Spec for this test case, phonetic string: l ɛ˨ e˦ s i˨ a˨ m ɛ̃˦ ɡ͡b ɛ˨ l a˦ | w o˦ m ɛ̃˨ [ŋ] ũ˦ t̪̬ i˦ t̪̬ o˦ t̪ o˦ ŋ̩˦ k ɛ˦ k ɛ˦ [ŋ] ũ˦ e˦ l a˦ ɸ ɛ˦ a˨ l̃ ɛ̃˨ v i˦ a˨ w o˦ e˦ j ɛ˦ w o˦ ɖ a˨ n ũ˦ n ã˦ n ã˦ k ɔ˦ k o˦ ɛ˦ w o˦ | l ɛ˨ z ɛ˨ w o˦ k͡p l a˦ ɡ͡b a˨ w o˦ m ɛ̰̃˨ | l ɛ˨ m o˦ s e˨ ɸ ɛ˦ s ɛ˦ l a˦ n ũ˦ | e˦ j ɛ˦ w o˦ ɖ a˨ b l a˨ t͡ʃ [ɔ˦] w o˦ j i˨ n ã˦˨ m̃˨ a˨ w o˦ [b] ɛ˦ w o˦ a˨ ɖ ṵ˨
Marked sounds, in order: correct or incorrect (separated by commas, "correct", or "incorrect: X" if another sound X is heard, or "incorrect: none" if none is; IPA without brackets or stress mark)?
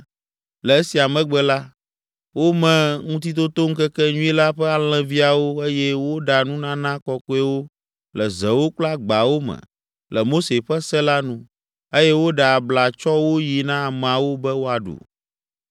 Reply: correct, incorrect: ɲ, correct, correct